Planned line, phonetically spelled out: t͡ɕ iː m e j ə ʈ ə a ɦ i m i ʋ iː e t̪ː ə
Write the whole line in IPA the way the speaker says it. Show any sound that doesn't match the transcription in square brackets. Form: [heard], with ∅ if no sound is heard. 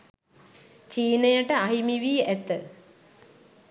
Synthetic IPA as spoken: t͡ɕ iː [n] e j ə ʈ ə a ɦ i m i ʋ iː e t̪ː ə